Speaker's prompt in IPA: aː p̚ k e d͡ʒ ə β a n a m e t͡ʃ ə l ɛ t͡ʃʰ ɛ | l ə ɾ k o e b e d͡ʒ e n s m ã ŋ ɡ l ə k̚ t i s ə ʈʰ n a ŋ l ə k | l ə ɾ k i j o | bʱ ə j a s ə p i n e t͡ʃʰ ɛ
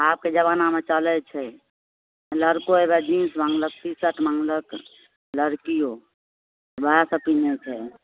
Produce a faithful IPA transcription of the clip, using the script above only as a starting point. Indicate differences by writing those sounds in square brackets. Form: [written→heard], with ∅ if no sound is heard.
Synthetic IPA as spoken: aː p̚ k e d͡ʒ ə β a n a m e t͡ʃ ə l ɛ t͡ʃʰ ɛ | l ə ɾ k o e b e d͡ʒ [e→i] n s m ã ŋ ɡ l ə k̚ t i s ə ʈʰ [n→m] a ŋ l ə k | l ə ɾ k i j o | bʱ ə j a s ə p i n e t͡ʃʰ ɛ

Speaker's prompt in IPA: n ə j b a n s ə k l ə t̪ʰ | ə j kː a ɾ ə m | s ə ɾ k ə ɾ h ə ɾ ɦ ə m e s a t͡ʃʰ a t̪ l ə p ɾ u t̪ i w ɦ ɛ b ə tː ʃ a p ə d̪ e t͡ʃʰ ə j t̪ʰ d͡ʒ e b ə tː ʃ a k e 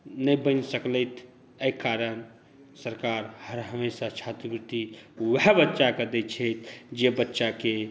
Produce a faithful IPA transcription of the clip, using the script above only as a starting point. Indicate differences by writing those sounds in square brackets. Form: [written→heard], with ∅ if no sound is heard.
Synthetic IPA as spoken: n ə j b [a→ə] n s ə k l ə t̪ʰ | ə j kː a ɾ ə [m→n] | s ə ɾ k [ə→a] ɾ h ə ɾ ɦ ə m e s a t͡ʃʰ a t̪ [l→ɾ] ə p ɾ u t̪ i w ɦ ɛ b ə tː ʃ a [p→k] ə d̪ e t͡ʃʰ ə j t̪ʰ d͡ʒ e b ə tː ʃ a k e

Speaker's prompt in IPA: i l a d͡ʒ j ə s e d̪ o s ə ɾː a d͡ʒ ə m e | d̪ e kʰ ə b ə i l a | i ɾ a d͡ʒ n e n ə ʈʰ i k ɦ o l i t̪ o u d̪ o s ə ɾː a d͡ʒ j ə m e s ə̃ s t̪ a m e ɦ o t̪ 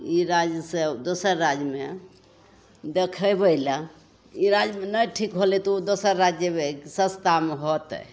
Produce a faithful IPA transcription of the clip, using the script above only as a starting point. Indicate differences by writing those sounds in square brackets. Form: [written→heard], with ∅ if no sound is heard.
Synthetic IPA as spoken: i [l→ɾ] a d͡ʒ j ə s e d̪ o s ə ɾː a d͡ʒ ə m e | d̪ e kʰ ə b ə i l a | i ɾ a d͡ʒ [n→m] e n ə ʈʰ i k ɦ o l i t̪ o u d̪ o s ə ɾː a d͡ʒ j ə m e s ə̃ s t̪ a m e ɦ o t̪

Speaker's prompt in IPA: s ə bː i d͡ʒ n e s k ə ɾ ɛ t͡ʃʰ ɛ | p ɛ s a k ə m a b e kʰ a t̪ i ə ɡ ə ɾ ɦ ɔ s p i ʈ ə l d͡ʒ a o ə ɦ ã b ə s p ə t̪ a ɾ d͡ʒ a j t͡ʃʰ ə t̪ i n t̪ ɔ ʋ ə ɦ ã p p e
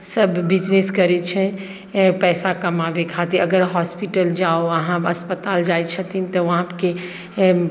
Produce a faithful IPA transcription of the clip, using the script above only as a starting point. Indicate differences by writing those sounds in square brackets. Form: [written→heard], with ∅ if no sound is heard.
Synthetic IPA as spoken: s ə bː i d͡ʒ n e s k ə ɾ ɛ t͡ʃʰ ɛ | p ɛ s a k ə m a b e kʰ a t̪ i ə ɡ ə ɾ ɦ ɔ s p i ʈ ə l d͡ʒ a o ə ɦ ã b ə s p ə t̪ a [ɾ→l] d͡ʒ a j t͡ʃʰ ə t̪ i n t̪ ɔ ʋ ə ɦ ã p [p→k] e

